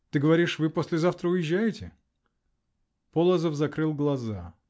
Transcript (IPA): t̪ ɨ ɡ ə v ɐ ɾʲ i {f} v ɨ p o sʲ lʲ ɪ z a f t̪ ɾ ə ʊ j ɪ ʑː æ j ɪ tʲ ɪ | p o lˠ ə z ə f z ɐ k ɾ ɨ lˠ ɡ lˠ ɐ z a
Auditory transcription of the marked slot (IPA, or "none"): ʂ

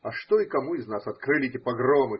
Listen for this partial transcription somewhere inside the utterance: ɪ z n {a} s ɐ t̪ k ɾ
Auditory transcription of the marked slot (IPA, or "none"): a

